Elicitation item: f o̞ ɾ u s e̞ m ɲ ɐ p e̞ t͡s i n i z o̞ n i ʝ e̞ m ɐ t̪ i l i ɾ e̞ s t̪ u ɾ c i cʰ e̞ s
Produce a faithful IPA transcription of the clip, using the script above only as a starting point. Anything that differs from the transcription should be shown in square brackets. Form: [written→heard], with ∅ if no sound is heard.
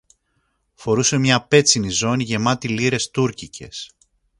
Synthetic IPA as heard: f o̞ ɾ u s e̞ m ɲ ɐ p e̞ t͡s i n i z o̞ n i ʝ e̞ m ɐ t̪ i l i ɾ e̞ s t̪ u ɾ c i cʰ e̞ s